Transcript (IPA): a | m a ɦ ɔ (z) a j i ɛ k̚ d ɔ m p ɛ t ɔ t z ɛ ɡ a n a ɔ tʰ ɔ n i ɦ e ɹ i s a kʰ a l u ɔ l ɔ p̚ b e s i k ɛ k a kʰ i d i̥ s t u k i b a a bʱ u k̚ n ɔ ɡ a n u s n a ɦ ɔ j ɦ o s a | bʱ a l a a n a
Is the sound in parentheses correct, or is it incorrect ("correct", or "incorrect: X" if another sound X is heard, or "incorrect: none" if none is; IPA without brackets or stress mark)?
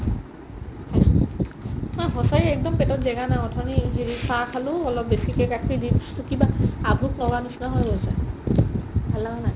incorrect: s